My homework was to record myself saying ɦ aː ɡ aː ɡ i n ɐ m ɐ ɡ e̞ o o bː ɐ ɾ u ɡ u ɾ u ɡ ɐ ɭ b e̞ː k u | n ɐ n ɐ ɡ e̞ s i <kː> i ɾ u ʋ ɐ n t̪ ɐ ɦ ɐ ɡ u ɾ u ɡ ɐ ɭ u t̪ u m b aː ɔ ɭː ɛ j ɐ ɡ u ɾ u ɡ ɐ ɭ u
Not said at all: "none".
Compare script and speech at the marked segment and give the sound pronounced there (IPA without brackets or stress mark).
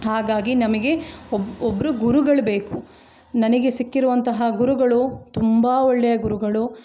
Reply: kː